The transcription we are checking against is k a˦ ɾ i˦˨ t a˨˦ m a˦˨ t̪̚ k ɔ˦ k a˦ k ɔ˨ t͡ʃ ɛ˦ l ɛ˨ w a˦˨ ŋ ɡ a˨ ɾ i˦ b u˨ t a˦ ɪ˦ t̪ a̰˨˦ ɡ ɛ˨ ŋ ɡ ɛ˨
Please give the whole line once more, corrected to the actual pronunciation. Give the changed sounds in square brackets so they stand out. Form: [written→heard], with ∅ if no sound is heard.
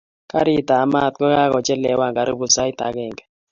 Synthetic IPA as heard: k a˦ ɾ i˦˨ t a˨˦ m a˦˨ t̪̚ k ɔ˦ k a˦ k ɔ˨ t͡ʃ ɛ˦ l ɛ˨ w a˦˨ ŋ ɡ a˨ ɾ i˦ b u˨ [t→s] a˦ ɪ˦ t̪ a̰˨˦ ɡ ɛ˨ ŋ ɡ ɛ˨